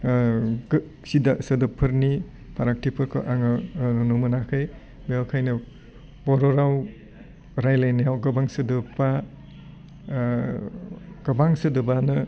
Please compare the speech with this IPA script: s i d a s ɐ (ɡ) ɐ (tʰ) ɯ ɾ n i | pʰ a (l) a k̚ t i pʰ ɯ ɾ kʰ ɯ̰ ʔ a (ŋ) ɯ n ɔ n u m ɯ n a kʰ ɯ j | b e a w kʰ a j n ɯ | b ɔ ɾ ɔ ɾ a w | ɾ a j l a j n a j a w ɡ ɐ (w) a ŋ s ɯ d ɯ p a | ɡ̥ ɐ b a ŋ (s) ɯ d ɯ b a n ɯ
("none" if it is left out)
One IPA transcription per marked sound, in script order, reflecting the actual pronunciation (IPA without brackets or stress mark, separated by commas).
d, pʰ, ɾ, ŋ, b, s